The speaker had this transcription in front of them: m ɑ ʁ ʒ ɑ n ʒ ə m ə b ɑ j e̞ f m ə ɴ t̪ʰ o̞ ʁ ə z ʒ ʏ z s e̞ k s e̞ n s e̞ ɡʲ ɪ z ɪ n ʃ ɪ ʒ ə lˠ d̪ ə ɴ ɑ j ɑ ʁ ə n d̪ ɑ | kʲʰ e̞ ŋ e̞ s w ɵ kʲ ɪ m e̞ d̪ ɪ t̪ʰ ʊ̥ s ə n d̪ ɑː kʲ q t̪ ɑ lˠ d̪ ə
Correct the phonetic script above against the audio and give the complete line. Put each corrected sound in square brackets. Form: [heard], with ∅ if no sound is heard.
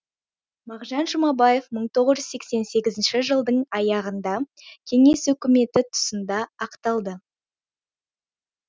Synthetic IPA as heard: m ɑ ʁ ʒ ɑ n ʒ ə m [ɑ] b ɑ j e̞ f m ə ɴ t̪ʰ o̞ ʁ ə z ʒ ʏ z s e̞ k s e̞ n s e̞ ɡʲ ɪ z ɪ n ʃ ɪ ʒ ə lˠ d̪ ə ɴ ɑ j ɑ ʁ ə n d̪ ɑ | kʲʰ e̞ ŋ e̞ s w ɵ kʲ ɪ m e̞ [t̪] ɪ t̪ʰ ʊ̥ s ə n d̪ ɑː [∅] q t̪ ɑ lˠ d̪ ə